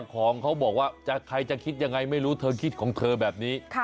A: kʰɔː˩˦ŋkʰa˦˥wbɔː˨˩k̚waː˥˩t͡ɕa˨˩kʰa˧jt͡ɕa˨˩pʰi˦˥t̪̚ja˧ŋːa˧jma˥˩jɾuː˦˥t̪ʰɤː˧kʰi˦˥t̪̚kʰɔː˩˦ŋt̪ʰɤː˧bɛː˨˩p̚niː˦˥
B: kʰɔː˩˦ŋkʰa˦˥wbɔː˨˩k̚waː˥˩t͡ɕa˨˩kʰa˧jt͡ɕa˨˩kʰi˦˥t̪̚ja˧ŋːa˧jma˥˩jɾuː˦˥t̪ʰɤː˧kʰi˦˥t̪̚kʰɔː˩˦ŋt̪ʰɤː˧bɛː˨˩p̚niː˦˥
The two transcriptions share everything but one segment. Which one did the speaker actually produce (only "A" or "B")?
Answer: B